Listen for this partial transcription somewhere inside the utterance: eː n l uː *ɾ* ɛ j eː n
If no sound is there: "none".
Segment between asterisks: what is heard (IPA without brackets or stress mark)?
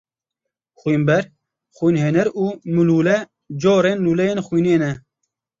l